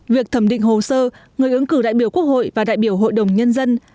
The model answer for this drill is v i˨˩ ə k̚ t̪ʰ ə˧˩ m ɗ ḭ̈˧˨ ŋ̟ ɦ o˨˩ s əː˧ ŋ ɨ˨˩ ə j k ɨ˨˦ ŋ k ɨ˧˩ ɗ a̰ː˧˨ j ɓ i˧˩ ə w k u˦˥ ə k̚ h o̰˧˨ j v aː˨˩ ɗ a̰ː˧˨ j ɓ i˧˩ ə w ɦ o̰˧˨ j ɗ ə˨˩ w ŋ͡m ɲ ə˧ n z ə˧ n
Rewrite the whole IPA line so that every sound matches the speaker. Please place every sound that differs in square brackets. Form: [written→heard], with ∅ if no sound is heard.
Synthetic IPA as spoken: v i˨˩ ə k̚ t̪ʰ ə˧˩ m ɗ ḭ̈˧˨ ŋ̟ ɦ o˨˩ s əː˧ ŋ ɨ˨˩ ə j [k→ʔ] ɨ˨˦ ŋ k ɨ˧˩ ɗ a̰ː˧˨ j ɓ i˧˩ ə w k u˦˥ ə k̚ h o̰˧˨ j v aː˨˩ ɗ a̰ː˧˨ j ɓ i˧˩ ə w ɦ o̰˧˨ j ɗ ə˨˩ w ŋ͡m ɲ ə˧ n z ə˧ n